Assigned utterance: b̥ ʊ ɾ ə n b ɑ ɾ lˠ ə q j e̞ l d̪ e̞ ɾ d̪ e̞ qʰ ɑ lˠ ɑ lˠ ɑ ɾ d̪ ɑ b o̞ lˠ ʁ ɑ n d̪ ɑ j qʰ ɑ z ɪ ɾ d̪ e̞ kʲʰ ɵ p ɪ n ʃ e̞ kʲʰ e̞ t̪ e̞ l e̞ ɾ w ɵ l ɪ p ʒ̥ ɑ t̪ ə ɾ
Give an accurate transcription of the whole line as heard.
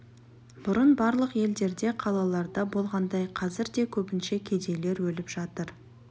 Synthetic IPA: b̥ ʊ ɾ ə n b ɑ ɾ lˠ ə q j e̞ l d̪ e̞ ɾ d̪ e̞ qʰ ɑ lˠ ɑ lˠ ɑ ɾ d̪ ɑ b o̞ lˠ ʁ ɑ n d̪ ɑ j qʰ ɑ z ɪ ɾ d̪ e̞ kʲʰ ɵ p ɪ n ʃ e̞ kʲʰ e̞ d̪ e̞ l e̞ ɾ w ɵ l ɪ p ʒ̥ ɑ t̪ ə ɾ